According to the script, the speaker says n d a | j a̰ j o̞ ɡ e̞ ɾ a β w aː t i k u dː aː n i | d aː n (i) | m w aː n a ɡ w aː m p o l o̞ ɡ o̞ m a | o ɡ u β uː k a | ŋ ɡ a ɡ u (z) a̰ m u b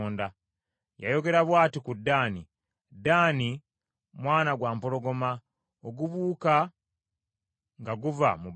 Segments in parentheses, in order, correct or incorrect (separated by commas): correct, incorrect